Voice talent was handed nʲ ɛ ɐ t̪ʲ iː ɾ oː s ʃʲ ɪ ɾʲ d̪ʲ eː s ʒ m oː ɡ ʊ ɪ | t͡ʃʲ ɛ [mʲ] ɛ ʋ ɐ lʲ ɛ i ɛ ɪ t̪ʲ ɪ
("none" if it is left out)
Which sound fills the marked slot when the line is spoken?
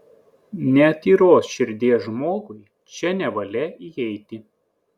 nʲ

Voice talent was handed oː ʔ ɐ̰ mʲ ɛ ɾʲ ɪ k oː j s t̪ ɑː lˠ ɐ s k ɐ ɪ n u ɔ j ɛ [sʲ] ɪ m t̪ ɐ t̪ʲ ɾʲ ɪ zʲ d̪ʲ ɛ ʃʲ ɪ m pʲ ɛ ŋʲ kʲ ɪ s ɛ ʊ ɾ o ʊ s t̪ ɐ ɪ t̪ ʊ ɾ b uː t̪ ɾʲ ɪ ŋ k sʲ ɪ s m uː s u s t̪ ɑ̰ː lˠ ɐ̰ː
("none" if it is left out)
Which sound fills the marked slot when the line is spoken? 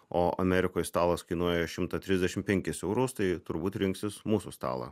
ʃʲ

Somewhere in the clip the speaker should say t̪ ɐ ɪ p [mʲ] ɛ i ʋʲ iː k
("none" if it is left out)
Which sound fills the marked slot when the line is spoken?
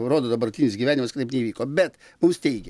nʲ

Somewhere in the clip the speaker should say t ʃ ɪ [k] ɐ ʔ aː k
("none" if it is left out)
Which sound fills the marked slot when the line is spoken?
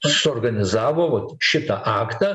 t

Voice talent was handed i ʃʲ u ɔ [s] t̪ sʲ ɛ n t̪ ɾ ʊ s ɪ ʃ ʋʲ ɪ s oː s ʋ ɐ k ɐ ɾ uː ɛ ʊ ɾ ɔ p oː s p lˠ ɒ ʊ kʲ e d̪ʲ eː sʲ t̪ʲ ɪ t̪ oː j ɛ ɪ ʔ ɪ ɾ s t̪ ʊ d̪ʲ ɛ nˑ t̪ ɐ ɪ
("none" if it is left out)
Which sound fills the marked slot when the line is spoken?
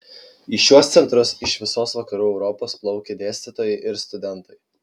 s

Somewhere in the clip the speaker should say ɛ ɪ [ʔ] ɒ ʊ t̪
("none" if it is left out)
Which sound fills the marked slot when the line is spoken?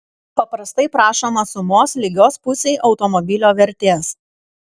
ʔ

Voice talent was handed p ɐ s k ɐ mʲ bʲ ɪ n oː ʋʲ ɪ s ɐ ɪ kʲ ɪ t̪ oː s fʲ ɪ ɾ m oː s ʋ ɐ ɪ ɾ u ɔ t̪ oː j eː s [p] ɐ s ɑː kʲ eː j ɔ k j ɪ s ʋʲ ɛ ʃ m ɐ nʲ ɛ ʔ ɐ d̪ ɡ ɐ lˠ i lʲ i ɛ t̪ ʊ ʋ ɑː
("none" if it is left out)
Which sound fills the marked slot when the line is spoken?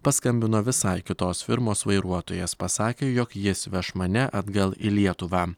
p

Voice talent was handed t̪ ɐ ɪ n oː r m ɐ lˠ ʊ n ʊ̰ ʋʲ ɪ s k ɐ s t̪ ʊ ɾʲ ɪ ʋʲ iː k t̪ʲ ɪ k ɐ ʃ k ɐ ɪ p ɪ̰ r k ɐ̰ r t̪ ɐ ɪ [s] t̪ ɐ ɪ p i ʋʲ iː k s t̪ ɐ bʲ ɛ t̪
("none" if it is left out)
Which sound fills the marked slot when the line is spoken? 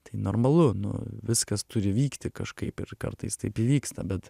s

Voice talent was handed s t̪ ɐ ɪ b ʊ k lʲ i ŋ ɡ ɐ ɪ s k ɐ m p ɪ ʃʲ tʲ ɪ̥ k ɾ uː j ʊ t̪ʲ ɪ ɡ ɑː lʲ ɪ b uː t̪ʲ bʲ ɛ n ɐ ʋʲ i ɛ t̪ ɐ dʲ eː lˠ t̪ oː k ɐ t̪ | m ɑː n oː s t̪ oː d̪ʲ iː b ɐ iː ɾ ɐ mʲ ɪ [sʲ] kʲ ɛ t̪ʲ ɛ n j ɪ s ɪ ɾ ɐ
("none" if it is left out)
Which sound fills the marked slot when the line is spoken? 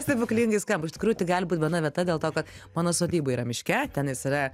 ʃʲ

